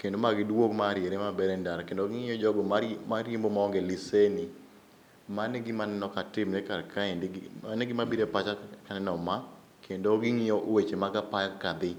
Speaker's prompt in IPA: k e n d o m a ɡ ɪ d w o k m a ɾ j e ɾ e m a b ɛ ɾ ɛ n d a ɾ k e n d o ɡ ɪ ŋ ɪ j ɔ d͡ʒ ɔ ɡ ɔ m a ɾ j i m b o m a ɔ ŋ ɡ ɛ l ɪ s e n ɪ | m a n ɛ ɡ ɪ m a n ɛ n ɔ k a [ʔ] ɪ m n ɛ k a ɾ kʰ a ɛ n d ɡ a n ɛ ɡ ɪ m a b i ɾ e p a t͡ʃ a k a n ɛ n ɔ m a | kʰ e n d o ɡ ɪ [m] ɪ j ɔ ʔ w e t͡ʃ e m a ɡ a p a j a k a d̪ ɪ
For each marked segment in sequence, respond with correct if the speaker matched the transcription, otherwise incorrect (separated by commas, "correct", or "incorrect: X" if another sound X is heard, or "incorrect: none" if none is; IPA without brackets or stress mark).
incorrect: t, incorrect: ŋ